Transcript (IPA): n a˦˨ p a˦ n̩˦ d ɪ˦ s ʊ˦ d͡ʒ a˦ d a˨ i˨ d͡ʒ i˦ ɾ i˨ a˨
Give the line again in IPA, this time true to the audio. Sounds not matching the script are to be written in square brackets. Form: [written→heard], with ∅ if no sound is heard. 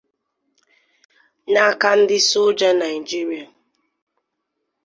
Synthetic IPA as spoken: n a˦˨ [p→k] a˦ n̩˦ d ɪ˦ s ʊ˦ d͡ʒ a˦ [d→n] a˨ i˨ d͡ʒ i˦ ɾ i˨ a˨